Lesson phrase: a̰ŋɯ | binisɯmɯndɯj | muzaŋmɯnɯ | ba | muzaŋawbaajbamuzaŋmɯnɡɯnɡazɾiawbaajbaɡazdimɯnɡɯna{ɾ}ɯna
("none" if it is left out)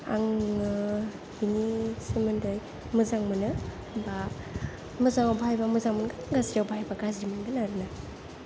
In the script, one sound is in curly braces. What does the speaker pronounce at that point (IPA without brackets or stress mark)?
ɾ